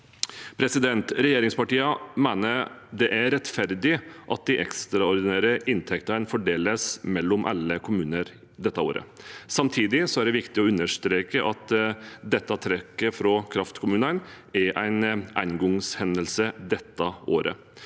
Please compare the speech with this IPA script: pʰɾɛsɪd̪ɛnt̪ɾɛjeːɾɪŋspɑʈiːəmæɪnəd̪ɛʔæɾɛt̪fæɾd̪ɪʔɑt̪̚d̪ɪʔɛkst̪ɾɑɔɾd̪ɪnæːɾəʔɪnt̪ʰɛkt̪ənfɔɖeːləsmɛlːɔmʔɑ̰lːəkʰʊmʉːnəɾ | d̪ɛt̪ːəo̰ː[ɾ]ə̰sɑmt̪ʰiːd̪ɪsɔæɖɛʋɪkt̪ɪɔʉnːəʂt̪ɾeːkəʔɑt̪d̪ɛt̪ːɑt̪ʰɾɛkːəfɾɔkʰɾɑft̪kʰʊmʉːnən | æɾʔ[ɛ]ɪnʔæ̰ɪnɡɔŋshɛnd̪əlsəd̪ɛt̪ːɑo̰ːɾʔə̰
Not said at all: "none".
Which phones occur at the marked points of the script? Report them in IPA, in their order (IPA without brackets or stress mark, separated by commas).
ɾ, æ